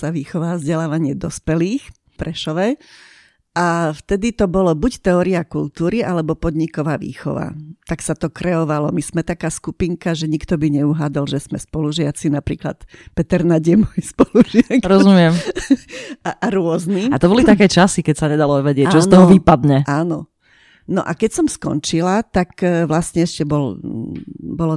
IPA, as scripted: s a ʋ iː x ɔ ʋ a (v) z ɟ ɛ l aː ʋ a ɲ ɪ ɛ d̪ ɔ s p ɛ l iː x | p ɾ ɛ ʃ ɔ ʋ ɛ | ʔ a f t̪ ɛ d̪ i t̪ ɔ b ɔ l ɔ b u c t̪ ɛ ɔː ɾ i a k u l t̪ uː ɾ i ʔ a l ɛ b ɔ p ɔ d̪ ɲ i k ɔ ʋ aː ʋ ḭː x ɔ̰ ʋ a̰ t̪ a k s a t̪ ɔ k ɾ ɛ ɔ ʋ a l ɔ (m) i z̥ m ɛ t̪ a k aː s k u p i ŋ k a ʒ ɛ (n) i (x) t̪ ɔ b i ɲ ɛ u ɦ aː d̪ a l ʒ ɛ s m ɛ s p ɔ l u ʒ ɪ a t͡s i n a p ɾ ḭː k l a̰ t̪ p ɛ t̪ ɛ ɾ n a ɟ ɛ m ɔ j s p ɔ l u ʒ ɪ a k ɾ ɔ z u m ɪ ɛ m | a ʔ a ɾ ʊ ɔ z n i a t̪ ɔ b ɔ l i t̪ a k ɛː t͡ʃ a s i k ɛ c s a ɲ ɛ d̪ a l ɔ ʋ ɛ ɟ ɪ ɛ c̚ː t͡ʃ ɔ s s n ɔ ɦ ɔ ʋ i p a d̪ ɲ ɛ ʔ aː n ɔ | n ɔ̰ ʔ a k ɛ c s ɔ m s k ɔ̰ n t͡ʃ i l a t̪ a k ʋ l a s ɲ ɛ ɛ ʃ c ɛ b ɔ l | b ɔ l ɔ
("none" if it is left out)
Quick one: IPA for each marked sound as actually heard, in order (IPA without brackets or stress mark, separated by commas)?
v, m, ɲ, k